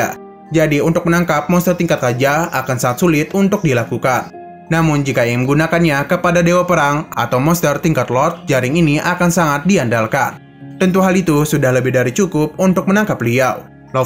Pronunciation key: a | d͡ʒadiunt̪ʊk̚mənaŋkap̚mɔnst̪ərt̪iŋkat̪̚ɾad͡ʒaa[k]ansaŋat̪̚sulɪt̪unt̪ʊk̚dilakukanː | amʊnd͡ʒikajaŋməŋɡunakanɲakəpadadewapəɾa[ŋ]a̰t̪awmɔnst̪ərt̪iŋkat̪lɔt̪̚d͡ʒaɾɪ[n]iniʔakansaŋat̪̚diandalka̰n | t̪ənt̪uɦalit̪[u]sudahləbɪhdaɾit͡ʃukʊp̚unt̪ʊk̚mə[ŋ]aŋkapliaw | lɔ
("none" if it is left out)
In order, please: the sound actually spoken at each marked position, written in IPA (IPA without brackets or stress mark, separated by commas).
k, ŋ, ŋ, u, n